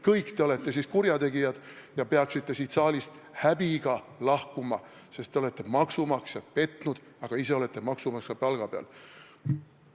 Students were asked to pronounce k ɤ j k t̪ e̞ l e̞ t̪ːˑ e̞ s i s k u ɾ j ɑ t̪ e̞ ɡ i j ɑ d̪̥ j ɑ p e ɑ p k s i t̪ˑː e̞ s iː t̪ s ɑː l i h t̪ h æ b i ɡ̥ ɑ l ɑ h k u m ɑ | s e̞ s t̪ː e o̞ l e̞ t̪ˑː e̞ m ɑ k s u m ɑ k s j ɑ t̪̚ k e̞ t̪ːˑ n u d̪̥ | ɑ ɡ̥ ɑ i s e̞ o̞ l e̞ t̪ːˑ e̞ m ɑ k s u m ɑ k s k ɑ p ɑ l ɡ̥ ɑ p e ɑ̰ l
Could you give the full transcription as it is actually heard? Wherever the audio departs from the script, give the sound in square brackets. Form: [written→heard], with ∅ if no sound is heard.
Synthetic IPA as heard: k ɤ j k t̪ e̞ l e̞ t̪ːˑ e̞ s i s k u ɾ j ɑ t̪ e̞ ɡ i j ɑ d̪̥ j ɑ p e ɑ [p→∅] k s i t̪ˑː e̞ s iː t̪ s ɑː l i [h→s] t̪ h æ b i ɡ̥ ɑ l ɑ h k u m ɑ | s e̞ s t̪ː e o̞ l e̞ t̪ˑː e̞ m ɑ k s u m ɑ k s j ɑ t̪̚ [k→p] e̞ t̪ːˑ n u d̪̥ | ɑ ɡ̥ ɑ i s e̞ o̞ l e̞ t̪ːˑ e̞ m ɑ k s u m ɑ k s k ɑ p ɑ l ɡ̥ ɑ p e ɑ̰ l